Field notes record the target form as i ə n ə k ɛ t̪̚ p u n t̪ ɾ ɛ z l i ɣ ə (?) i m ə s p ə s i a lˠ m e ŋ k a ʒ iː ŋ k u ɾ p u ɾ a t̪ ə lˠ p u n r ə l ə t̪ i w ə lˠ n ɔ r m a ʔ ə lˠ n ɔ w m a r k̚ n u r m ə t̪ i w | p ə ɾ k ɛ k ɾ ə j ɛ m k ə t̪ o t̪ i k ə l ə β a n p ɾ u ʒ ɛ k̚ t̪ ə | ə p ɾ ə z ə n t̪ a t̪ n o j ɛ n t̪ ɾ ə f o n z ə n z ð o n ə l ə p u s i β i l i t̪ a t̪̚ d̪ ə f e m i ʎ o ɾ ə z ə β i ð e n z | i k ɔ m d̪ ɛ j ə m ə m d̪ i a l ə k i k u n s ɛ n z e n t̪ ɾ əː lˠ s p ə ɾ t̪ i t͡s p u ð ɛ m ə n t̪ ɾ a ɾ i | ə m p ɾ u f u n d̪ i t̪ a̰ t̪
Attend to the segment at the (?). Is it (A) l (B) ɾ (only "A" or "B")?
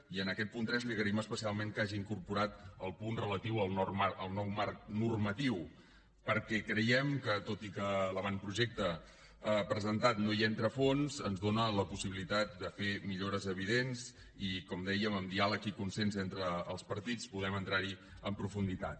B